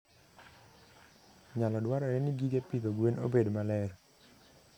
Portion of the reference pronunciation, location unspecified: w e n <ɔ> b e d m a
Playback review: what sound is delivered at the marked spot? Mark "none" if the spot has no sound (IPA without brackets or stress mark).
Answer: o